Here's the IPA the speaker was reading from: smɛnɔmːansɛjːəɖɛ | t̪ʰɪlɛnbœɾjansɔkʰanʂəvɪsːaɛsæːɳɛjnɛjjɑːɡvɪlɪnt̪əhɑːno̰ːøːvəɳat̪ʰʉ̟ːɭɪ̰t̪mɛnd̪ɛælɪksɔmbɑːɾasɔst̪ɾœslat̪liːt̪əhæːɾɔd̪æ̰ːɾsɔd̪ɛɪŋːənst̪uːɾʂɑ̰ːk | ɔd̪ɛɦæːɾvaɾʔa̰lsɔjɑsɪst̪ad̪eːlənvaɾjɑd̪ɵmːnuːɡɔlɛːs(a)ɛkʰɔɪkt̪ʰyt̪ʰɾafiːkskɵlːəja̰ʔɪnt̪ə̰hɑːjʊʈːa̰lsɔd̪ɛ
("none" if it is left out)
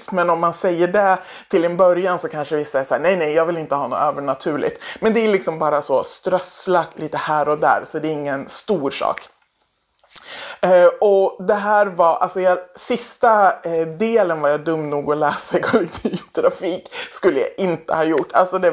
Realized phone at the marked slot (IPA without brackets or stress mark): a